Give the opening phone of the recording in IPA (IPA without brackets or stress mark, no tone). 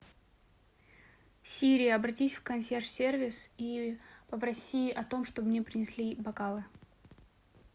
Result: sʲ